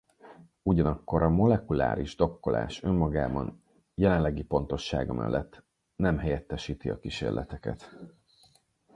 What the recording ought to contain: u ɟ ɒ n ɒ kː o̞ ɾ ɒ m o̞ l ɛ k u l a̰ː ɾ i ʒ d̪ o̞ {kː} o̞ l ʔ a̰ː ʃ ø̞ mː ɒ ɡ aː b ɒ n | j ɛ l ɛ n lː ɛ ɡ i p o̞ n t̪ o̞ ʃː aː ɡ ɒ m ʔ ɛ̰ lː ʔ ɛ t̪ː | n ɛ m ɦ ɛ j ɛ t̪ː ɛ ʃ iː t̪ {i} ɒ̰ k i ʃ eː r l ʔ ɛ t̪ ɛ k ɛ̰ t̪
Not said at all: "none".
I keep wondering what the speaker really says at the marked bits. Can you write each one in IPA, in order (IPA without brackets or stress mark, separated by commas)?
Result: kː, i